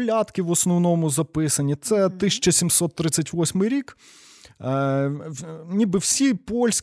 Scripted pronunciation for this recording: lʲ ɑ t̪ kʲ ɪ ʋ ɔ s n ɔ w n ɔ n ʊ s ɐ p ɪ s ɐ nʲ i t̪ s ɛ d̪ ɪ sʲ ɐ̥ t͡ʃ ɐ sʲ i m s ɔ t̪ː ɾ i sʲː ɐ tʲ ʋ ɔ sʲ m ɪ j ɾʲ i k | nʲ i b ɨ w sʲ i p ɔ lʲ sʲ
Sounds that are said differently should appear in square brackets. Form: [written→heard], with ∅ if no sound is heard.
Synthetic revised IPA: lʲ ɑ t̪ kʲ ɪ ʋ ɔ s n ɔ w n ɔ [n→m] ʊ [s→z] ɐ p ɪ s ɐ nʲ i t̪ s ɛ [d̪→t̪] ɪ sʲ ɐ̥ t͡ʃ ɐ sʲ i m s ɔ t̪ː ɾ [i→ɪ] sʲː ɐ tʲ ʋ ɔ sʲ m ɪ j ɾʲ i k | nʲ i b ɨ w sʲ i p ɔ lʲ sʲ